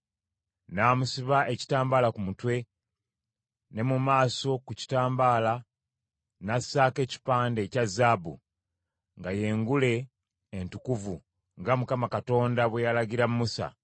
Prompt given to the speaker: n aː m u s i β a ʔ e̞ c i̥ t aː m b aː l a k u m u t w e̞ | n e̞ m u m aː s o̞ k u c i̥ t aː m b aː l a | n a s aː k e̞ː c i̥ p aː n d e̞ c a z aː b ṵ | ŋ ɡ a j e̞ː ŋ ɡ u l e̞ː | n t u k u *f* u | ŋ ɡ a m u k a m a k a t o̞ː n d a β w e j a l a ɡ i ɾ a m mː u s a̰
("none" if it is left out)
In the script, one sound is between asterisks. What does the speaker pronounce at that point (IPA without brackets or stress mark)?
v